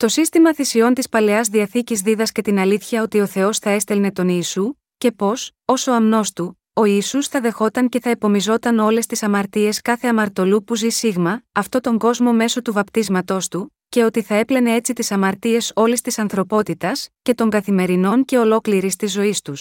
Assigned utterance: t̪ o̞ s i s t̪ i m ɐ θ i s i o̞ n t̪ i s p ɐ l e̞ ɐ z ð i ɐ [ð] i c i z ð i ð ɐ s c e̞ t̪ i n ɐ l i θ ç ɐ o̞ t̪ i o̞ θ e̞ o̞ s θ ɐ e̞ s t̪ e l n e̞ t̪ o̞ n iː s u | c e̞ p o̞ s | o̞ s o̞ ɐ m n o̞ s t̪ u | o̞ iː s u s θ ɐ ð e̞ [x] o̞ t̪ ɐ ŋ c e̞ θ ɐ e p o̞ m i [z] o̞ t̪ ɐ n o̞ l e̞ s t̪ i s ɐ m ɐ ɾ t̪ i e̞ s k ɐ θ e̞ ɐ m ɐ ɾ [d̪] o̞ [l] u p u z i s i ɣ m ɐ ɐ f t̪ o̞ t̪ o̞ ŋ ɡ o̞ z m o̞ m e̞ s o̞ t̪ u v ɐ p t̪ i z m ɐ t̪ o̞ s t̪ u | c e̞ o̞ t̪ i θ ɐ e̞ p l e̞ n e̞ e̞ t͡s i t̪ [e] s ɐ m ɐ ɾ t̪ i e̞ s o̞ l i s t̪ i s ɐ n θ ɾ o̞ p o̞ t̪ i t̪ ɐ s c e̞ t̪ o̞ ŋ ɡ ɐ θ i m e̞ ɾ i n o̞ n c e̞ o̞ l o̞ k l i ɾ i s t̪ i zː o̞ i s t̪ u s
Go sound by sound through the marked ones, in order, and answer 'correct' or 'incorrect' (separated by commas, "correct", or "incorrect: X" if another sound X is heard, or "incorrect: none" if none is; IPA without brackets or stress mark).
incorrect: θ, correct, correct, incorrect: t̪, correct, incorrect: i